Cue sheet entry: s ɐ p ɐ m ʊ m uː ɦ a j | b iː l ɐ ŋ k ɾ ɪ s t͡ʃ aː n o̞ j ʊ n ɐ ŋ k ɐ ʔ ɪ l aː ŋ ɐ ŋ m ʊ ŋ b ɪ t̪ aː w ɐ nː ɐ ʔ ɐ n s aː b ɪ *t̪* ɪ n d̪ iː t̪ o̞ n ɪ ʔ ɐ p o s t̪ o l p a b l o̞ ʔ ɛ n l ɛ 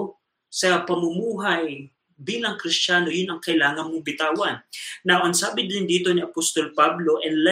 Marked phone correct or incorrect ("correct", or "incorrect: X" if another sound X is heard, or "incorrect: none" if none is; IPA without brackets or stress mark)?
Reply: incorrect: d̪